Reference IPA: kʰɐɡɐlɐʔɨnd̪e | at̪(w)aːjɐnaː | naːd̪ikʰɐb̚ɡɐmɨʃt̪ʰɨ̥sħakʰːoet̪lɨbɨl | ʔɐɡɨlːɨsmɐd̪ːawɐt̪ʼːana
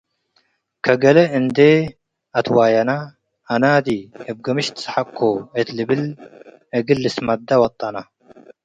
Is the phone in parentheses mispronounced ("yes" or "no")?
no